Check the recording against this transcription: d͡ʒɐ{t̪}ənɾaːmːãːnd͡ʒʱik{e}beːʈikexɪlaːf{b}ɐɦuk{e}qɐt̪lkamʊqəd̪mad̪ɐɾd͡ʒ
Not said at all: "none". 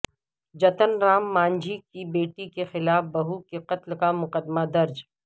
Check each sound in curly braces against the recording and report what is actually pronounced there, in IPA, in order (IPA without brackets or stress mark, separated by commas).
t̪, i, b, e